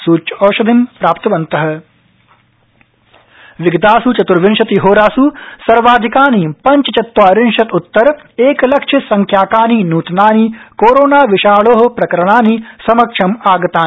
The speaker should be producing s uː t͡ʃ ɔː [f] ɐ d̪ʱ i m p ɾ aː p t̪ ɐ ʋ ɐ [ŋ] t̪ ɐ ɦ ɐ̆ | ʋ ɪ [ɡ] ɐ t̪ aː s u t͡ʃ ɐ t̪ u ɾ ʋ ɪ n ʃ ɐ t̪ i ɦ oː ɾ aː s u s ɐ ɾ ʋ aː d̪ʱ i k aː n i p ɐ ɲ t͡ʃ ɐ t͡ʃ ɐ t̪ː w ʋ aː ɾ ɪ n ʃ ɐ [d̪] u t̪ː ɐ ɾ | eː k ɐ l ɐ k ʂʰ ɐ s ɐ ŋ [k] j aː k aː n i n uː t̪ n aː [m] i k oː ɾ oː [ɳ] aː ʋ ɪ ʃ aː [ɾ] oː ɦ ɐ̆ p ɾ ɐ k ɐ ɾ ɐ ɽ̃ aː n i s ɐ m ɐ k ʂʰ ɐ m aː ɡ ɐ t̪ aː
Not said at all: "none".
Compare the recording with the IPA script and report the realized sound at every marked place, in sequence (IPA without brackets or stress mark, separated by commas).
ʃ, n, ɡ, t̪, kʰ, n, n, ɭ